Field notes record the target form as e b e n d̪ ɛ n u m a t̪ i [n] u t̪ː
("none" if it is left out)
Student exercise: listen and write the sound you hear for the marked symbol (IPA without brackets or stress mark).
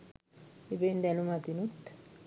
n